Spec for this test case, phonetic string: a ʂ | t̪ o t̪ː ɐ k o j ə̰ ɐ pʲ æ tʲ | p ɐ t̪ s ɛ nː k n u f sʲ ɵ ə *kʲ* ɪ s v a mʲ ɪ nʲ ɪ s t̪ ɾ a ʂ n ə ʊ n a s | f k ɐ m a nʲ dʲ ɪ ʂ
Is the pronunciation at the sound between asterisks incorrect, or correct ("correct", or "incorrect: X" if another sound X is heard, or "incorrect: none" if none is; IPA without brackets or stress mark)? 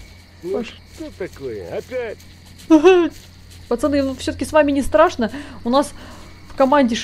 correct